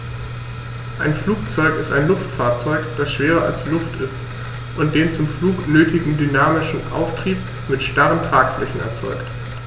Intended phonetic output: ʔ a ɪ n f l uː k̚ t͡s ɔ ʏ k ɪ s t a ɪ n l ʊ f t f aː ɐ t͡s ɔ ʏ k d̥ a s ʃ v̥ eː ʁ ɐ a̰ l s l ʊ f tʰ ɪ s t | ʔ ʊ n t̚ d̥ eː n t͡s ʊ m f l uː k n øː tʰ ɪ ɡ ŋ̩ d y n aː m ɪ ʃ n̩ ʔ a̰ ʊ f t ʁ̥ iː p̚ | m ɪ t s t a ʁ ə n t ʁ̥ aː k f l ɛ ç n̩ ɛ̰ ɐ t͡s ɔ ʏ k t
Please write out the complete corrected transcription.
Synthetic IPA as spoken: ʔ a ɪ n f l uː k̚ t͡s ɔ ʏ k ɪ s t a ɪ n l ʊ f t f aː ɐ t͡s ɔ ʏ k d̥ a s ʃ v̥ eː ʁ ɐ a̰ l s l ʊ f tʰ ɪ s t | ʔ ʊ n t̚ d̥ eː n t͡s ʊ m f l uː k n øː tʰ ɪ ɡ ŋ̩ d y n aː m ɪ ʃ n̩ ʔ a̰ ʊ f t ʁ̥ iː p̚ | m ɪ t ʃ t a ʁ ə n t ʁ̥ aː k f l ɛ ç n̩ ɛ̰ ɐ t͡s ɔ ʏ k t